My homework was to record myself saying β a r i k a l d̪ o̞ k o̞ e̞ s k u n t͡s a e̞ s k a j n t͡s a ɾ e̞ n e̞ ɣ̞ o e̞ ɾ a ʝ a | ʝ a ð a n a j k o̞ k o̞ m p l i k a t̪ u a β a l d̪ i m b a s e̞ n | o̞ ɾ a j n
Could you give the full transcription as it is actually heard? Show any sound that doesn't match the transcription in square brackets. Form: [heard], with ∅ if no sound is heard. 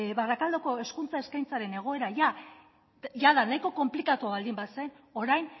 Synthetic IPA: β a r [a] k a l d̪ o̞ k o̞ e̞ s k u n t͡s a e̞ s k a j n t͡s a ɾ e̞ n e̞ ɣ̞ o e̞ ɾ a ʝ a | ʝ a ð a n a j k o̞ k o̞ m p l i k a t̪ u a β a l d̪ i m b a s e̞ n | o̞ ɾ a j n